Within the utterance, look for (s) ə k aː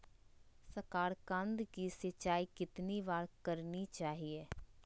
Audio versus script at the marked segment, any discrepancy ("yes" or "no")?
no